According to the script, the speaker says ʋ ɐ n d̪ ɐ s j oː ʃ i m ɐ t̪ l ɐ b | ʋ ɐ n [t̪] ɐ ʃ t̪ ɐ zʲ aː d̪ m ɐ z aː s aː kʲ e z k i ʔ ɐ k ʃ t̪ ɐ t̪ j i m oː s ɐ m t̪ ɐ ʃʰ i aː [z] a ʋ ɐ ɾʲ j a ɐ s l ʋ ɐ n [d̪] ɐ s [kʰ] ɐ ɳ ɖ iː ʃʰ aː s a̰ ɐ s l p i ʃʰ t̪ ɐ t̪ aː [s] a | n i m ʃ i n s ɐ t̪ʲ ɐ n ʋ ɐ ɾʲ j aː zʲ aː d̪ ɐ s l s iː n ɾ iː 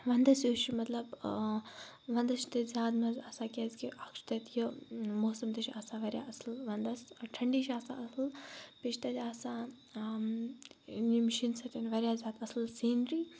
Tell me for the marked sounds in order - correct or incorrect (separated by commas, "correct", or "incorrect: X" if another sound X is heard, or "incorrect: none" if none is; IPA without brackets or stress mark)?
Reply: incorrect: d̪, incorrect: s, correct, incorrect: ʈʰ, correct